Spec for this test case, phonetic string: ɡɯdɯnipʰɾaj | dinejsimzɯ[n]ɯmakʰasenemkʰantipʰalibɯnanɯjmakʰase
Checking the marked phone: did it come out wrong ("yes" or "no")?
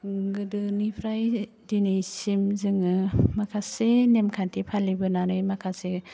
yes